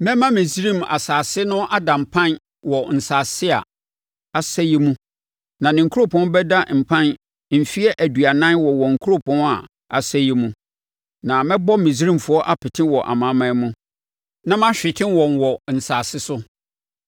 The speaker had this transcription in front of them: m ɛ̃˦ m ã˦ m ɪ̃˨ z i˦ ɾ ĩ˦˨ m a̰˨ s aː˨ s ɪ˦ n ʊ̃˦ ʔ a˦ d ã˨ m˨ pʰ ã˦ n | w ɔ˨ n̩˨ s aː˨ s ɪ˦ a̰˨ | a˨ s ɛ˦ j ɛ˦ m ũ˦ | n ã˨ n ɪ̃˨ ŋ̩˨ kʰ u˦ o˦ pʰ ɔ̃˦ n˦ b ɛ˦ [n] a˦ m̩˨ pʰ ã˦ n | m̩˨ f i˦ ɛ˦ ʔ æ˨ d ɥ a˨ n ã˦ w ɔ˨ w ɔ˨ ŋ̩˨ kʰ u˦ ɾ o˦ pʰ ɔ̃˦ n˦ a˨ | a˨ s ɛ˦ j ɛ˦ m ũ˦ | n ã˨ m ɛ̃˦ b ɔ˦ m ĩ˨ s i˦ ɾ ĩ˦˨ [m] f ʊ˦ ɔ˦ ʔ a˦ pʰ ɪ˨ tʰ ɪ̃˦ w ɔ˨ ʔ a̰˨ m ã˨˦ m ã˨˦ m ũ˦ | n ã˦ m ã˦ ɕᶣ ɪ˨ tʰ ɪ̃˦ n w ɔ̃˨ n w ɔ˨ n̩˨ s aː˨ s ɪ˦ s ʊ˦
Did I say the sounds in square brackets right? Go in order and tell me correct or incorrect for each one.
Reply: incorrect: d, correct

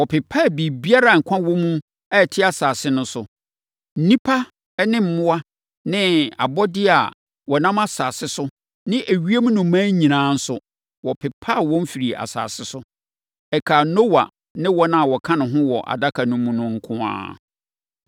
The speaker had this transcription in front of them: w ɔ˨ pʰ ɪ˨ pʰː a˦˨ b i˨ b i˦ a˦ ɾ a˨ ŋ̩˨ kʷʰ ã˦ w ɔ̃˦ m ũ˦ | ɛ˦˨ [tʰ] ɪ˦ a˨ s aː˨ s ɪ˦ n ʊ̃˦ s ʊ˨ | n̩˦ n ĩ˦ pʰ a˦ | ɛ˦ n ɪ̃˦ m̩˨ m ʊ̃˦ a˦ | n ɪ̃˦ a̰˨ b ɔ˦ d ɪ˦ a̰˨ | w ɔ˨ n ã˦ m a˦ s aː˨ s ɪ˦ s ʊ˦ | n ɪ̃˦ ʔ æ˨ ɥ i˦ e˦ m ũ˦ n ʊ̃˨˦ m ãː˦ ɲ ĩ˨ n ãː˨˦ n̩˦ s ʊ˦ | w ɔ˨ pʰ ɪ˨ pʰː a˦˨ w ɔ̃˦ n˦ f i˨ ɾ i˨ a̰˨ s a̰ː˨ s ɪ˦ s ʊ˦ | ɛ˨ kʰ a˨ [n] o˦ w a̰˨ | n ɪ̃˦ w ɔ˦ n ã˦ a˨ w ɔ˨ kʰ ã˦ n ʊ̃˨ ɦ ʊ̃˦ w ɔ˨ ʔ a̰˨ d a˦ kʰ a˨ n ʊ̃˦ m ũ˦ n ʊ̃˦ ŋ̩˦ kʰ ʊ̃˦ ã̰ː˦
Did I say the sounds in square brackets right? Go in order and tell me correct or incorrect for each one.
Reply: correct, correct

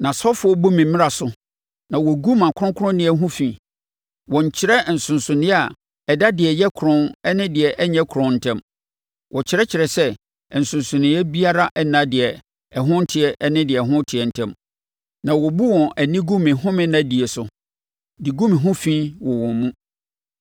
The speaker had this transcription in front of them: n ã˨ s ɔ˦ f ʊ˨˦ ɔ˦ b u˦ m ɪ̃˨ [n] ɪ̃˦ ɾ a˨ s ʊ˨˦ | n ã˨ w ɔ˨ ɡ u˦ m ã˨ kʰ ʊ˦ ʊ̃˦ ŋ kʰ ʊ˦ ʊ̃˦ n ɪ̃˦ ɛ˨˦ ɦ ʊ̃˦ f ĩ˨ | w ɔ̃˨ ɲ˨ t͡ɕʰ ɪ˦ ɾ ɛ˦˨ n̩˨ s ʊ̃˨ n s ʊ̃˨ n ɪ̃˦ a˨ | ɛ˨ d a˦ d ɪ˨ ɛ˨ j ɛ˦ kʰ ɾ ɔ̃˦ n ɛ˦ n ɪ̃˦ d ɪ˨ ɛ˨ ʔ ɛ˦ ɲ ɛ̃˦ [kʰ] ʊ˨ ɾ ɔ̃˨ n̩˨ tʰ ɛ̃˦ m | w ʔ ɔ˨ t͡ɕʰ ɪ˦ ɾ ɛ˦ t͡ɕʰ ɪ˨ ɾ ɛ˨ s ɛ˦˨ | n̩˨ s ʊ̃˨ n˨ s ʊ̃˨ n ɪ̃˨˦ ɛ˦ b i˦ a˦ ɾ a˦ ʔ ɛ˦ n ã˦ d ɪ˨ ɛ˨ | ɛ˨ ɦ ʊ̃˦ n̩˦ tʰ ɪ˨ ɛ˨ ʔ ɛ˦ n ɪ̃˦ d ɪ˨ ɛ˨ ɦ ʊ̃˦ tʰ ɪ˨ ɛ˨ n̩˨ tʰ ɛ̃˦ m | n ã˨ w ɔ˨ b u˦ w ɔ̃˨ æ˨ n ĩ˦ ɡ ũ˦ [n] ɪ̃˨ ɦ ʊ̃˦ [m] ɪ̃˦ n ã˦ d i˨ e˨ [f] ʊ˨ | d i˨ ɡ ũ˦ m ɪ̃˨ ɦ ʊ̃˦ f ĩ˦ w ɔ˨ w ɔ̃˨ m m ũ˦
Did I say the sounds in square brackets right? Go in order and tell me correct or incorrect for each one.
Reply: incorrect: m, correct, incorrect: m, correct, incorrect: s

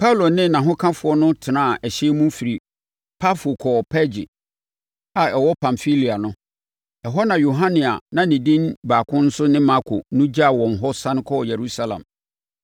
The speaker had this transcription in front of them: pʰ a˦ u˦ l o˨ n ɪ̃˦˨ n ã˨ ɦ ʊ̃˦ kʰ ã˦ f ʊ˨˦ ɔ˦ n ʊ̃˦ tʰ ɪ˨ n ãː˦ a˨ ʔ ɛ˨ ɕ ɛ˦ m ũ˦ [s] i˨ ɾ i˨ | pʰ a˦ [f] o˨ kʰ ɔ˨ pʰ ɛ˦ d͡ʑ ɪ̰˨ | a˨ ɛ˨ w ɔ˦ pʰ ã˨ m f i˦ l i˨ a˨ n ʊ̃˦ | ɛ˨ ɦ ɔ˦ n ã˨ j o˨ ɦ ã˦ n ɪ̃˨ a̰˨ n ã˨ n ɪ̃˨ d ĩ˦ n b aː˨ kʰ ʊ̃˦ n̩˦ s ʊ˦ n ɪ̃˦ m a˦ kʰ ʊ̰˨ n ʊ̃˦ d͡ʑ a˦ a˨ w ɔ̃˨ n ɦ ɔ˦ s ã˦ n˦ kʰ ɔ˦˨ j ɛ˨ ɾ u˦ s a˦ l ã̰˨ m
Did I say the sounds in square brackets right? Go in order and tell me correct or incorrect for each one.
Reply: incorrect: f, correct

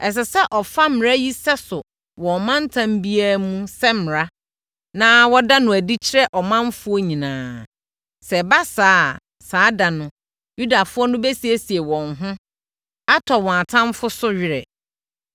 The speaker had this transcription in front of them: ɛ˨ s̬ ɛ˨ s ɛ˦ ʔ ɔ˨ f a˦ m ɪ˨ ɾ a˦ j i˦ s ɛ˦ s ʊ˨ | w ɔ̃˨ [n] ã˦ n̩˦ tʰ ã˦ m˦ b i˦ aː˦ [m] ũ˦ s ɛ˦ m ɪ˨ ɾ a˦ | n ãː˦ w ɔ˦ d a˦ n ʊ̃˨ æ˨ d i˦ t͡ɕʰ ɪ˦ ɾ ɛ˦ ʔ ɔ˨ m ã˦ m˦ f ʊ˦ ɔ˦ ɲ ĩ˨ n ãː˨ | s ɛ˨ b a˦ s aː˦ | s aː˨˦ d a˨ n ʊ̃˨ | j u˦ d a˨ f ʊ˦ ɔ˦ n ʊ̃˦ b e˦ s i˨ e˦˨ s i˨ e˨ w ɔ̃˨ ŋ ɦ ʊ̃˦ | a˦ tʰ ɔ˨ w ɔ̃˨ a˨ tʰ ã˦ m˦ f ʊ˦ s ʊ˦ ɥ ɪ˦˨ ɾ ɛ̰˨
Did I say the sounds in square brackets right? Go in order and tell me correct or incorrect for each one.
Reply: incorrect: m, correct

